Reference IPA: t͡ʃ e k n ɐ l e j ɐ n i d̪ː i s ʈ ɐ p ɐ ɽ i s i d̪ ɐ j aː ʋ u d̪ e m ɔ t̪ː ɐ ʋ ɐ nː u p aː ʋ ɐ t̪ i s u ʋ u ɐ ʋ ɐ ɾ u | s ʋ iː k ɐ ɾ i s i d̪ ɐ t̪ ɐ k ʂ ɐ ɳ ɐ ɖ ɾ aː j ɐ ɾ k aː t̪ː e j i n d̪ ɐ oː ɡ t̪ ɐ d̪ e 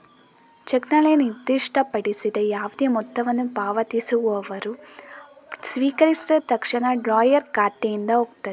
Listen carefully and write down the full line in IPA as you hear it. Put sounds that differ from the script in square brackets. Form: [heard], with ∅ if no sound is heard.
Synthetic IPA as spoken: t͡ʃ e k n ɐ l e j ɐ n i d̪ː i [ʂ] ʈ ɐ p ɐ ɽ i s i d̪ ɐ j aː ʋ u d̪ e m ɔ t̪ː ɐ ʋ ɐ nː u p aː ʋ ɐ t̪ i s u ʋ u ɐ ʋ ɐ ɾ u | s ʋ iː k ɐ ɾ i s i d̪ ɐ t̪ ɐ k ʂ ɐ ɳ ɐ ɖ ɾ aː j ɐ ɾ k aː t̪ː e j i n d̪ ɐ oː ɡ t̪ ɐ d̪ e

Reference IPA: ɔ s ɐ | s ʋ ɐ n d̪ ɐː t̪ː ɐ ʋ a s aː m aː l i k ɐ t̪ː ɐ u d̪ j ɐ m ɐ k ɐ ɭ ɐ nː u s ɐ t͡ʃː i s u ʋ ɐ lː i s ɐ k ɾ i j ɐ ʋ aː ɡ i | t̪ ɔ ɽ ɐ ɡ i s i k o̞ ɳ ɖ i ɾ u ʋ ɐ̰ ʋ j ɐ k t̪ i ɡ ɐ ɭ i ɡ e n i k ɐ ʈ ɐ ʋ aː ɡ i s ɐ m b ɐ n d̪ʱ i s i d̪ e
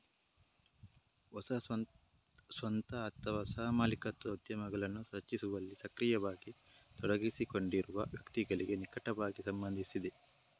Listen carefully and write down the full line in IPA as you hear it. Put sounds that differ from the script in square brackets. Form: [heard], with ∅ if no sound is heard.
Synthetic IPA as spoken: ɔ s ɐ | s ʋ ɐ n [t̪] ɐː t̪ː ɐ ʋ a s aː m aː l i k ɐ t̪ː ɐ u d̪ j ɐ m ɐ [ɡ] ɐ ɭ ɐ nː u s ɐ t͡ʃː i s u ʋ ɐ lː i s ɐ k ɾ i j ɐ ʋ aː ɡ i | t̪ ɔ ɽ ɐ ɡ i s i k o̞ ɳ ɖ i ɾ u ʋ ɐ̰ ʋ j ɐ k t̪ i ɡ ɐ ɭ i ɡ e n i k ɐ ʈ ɐ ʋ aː ɡ i s ɐ m b ɐ n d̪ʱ i s i d̪ e

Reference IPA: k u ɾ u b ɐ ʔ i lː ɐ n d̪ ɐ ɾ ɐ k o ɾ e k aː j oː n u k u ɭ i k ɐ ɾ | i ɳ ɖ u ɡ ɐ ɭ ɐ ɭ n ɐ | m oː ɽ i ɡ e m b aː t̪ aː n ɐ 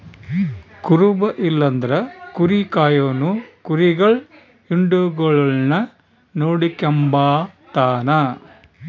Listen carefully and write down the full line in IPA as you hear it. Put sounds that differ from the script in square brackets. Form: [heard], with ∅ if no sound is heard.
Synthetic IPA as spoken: k u ɾ u b ɐ ʔ i lː ɐ n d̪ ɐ ɾ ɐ k [u] ɾ [i] k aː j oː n u k u [ɾ] i [ɡ] ɐ [ɭ] | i ɳ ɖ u ɡ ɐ ɭ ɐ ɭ n ɐ | [n] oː ɽ i [k] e m b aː t̪ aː n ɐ

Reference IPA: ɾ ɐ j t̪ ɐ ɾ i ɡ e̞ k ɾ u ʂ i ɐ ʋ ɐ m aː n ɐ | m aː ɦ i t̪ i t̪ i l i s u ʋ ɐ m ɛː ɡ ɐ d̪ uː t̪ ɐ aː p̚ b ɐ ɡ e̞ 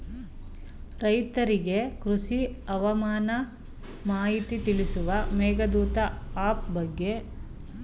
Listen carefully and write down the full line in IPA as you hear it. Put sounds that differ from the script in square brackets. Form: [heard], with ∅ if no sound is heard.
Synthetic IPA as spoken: ɾ ɐ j t̪ ɐ ɾ i ɡ e̞ k ɾ u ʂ i ɐ ʋ ɐ m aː n ɐ | m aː ɦ i t̪ i t̪ i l i s u ʋ ɐ m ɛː ɡ ɐ d̪ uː t̪ ɐ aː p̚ b ɐ [ɡː] e̞

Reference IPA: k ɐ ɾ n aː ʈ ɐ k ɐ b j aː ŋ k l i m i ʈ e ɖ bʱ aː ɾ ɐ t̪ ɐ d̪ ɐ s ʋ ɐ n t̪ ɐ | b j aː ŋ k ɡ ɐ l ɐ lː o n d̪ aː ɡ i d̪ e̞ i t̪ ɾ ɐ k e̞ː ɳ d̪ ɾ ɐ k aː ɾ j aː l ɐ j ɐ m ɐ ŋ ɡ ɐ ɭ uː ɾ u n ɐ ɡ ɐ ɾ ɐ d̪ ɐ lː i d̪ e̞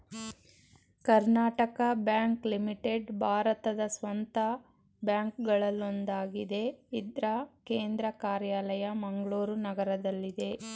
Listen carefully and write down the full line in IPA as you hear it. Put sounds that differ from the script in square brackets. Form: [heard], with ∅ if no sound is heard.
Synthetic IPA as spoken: k ɐ ɾ n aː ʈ ɐ k ɐ b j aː ŋ k l i m i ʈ e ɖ bʱ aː ɾ ɐ t̪ ɐ d̪ ɐ s ʋ ɐ n t̪ ɐ | b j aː ŋ k ɡ ɐ [ɭ] ɐ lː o n d̪ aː ɡ i d̪ e̞ i [d̪] ɾ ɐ k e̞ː [n] d̪ ɾ ɐ k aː ɾ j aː l ɐ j ɐ m ɐ ŋ ɡ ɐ ɭ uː ɾ u n ɐ ɡ ɐ ɾ ɐ d̪ ɐ lː i d̪ e̞

